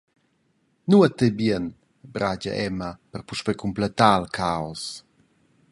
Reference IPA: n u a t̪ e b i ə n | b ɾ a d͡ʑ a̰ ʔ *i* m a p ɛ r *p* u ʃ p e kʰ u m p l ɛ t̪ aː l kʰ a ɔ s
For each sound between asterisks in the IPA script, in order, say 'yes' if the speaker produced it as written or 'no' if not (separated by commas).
no, yes